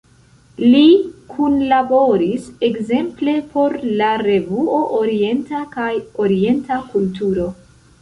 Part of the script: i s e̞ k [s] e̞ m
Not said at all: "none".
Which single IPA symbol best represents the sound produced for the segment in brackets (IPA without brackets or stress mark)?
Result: z